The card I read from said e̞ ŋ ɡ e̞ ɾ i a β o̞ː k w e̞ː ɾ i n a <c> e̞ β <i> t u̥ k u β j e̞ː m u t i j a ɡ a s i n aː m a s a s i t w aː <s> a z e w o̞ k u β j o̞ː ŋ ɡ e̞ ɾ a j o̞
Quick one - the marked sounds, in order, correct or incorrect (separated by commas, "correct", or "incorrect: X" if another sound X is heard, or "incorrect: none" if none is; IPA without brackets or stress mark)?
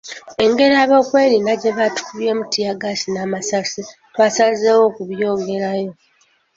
incorrect: ɟ, incorrect: a, correct